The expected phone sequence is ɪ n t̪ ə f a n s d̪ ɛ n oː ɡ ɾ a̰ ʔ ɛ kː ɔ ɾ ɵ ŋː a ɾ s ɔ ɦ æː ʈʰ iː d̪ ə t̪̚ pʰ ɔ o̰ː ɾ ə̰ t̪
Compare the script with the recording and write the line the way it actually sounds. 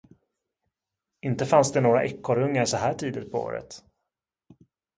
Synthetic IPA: ɪ n t̪ ə f a n s d̪ ɛ n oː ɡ ɾ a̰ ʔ ɛ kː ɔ ɾ ɵ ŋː a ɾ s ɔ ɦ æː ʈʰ iː d̪ ə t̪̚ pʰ ɔ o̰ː ɾ ə̰ t̪